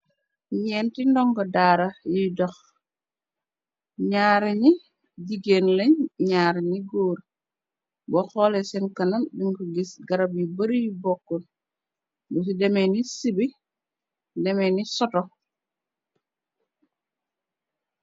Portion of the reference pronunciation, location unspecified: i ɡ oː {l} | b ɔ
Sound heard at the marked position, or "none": ɾ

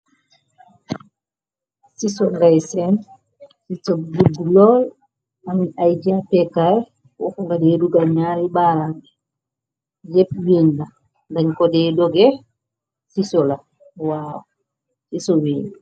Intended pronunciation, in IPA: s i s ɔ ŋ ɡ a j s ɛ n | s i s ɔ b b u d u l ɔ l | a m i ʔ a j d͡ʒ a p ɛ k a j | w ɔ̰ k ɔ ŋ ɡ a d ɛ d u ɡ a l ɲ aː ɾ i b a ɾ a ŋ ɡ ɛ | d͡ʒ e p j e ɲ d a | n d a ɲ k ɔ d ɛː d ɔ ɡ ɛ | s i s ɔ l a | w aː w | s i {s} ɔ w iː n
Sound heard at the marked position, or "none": s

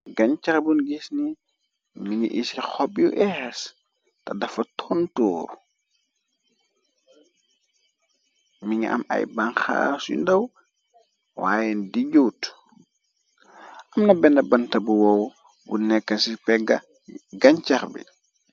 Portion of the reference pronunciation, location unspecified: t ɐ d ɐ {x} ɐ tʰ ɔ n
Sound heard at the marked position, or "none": f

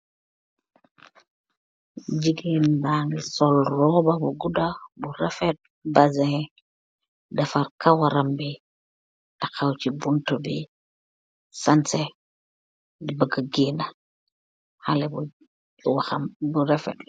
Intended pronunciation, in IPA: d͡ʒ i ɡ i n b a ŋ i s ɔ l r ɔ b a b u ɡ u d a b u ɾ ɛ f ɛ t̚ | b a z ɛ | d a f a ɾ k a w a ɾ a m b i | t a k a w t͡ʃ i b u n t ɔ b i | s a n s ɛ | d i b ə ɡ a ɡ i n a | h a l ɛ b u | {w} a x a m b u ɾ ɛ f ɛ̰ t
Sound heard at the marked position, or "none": w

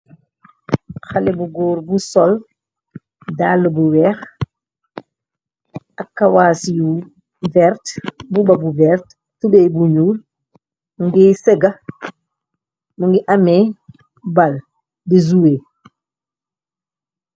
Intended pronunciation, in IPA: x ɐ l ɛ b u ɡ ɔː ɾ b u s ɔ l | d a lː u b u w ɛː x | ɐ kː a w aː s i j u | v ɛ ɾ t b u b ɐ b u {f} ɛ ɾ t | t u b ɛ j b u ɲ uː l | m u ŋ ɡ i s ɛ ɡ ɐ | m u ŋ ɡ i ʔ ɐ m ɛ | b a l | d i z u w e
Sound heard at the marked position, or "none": v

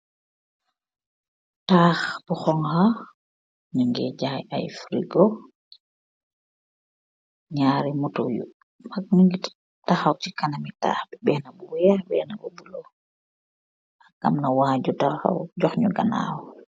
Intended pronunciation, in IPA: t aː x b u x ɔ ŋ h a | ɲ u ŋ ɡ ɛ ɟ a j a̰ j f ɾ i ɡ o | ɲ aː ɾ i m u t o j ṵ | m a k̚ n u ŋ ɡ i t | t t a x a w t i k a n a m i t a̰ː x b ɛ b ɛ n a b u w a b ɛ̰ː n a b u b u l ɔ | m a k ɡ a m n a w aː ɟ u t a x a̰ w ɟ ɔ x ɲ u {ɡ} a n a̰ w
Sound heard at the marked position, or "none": ɡ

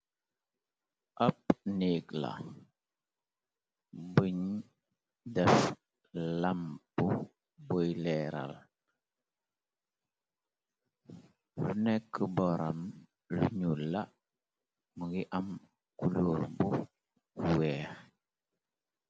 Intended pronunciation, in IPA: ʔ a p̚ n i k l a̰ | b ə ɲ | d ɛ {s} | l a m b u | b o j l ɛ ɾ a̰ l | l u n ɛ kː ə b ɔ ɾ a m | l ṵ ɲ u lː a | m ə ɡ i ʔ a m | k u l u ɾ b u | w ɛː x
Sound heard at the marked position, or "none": f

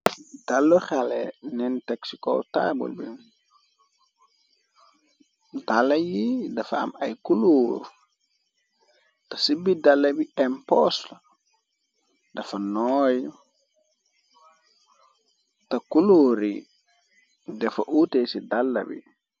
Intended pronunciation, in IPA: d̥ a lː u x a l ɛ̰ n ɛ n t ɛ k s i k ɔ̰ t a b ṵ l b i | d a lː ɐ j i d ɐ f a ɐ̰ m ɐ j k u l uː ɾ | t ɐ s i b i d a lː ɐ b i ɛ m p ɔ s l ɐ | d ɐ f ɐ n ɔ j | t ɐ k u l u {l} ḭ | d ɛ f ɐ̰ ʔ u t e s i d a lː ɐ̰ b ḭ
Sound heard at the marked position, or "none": ɾ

